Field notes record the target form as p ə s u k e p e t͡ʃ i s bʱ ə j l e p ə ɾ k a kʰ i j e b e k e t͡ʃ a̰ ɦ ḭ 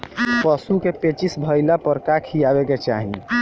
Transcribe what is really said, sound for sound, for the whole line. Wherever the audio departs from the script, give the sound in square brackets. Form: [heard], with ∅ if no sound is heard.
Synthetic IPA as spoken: p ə s u k e p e t͡ʃ i s bʱ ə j l [a] p ə ɾ k a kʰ i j [a] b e k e t͡ʃ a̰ ɦ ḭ